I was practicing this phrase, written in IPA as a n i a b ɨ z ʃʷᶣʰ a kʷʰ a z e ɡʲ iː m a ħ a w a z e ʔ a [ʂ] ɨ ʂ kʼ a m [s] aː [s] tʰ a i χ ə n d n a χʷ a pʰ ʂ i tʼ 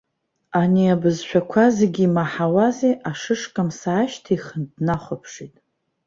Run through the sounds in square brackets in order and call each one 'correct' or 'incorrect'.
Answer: correct, correct, incorrect

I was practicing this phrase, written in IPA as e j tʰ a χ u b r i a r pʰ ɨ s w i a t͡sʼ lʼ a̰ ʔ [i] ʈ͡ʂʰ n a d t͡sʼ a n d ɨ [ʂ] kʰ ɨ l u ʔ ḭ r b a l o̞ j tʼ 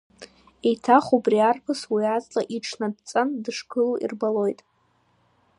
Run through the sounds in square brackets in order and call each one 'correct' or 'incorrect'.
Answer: correct, correct

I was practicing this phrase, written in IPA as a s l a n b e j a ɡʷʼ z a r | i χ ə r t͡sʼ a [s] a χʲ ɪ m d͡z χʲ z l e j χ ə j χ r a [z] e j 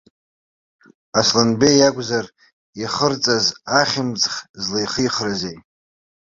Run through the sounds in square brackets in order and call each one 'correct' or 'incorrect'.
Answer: incorrect, correct

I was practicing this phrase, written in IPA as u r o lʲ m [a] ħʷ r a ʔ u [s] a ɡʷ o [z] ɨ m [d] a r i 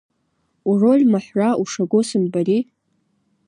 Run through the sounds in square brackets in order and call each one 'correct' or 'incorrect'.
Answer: correct, incorrect, incorrect, incorrect

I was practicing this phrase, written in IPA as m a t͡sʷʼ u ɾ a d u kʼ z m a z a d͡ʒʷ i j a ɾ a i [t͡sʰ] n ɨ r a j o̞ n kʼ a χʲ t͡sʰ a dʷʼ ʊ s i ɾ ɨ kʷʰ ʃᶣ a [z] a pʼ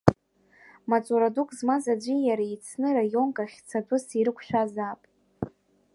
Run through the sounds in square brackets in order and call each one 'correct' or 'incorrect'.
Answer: correct, correct

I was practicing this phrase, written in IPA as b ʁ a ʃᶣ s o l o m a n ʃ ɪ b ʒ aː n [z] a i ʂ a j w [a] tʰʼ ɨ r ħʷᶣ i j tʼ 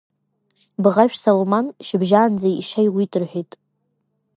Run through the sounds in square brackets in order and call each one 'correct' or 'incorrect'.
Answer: incorrect, incorrect

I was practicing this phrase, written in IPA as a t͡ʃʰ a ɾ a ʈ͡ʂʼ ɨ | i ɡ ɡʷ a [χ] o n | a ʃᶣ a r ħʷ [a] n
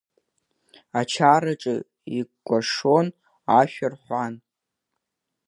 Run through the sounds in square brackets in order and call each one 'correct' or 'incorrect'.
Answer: incorrect, correct

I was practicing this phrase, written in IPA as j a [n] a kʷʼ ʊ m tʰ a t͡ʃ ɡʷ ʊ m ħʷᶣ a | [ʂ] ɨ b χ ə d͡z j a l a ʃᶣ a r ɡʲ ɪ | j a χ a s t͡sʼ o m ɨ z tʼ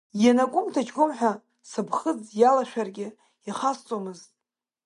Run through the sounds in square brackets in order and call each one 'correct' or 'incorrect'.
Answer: correct, incorrect

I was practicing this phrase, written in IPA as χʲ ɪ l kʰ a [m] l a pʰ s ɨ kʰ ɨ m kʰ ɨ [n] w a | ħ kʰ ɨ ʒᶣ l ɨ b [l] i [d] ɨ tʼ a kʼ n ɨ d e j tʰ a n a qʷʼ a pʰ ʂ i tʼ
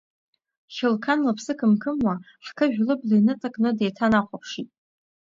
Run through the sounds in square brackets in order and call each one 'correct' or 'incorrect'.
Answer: incorrect, incorrect, correct, incorrect

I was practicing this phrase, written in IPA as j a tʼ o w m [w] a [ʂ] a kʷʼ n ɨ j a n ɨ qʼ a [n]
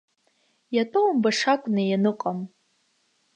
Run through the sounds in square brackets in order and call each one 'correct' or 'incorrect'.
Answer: incorrect, correct, incorrect

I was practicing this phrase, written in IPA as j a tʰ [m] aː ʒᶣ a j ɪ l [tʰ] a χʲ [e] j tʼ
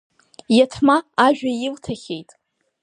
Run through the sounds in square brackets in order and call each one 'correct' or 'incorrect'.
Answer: correct, correct, correct

